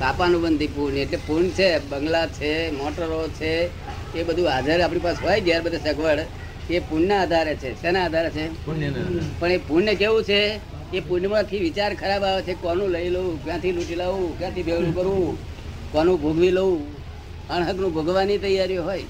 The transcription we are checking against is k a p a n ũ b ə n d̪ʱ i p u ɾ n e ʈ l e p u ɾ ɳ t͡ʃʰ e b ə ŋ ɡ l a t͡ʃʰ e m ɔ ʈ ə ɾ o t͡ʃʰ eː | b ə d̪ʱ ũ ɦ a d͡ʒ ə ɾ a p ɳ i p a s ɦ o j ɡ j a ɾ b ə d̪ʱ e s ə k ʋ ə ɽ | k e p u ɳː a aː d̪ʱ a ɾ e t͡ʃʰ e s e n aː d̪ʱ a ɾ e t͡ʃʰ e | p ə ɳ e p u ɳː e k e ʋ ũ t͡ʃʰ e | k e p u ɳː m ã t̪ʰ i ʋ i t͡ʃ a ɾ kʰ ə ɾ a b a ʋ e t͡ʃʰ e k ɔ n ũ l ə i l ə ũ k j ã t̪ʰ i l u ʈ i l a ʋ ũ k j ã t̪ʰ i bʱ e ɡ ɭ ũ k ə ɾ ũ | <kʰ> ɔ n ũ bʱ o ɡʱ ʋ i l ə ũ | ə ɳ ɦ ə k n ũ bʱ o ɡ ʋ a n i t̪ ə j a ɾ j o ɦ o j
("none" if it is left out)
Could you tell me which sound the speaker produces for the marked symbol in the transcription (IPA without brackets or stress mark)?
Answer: k